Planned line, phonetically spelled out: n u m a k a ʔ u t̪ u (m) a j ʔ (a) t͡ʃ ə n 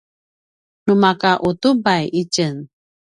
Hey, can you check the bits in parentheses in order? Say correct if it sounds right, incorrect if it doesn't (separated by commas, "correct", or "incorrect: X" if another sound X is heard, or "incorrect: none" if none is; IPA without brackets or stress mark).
incorrect: b, incorrect: i